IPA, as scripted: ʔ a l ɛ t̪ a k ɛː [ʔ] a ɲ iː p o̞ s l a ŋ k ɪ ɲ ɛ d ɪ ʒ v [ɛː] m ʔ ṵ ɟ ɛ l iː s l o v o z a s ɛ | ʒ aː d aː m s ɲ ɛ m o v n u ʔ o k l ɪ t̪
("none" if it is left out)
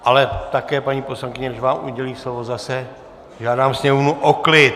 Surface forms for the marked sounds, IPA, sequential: p, aː

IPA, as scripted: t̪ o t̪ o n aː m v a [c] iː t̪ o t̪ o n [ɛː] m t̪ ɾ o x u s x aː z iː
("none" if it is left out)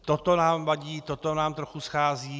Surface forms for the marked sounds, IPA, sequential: ɟ, aː

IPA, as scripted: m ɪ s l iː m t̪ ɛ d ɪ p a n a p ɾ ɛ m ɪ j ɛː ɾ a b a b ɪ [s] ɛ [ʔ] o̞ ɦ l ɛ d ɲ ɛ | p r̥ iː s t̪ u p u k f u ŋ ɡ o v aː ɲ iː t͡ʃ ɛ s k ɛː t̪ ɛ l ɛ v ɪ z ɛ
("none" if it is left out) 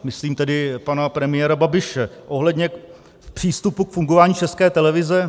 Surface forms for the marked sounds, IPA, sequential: ʃ, ʔ

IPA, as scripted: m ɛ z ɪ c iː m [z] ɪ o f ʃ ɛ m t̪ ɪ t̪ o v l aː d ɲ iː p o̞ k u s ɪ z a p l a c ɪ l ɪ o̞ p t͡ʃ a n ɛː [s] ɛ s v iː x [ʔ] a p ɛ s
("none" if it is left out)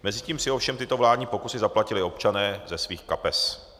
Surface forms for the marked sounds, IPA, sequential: s, z, k

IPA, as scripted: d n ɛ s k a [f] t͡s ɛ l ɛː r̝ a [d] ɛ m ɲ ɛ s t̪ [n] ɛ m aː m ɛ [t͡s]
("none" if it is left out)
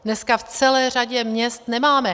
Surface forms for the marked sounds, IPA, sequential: f, ɟ, n, none

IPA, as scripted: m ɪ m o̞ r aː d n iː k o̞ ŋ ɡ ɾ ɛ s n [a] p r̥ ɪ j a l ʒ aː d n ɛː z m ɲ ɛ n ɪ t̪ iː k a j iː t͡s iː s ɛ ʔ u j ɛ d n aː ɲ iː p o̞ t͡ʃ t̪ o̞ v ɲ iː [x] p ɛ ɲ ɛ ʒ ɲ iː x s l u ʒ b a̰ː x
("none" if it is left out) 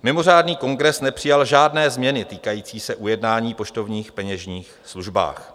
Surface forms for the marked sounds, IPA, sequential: ɛ, x

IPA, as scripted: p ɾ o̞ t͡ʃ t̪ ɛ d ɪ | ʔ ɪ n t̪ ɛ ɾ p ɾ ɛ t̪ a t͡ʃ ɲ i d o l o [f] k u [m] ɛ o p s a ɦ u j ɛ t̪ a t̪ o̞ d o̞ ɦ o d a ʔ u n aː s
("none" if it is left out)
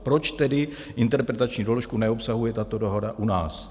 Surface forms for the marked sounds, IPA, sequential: ʃ, n

